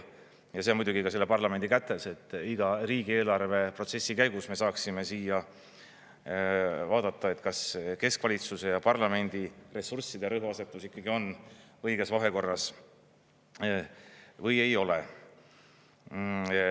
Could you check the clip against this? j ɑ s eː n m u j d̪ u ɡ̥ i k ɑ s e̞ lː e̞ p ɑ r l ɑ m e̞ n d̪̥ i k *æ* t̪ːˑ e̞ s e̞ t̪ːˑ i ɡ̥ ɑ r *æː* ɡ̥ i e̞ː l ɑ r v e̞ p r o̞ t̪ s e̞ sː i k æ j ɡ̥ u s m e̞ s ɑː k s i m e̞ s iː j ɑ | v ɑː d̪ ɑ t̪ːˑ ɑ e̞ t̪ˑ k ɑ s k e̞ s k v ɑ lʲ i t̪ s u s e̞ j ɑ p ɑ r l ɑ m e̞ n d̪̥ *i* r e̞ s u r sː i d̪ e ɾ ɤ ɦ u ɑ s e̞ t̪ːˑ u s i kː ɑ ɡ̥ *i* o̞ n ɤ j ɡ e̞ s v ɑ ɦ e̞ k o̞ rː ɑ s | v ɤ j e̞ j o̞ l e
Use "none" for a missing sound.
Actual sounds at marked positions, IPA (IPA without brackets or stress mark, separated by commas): æ, iː, i, i